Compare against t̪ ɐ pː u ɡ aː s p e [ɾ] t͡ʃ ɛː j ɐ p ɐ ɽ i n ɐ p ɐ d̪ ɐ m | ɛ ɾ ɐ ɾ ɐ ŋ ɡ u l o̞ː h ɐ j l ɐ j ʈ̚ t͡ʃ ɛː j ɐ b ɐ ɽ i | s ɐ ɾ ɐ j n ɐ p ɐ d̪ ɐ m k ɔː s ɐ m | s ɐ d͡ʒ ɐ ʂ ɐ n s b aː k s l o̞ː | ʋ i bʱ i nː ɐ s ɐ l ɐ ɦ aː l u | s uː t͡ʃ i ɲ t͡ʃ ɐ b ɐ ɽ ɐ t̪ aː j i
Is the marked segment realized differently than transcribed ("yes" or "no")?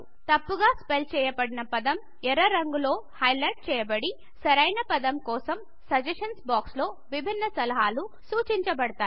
yes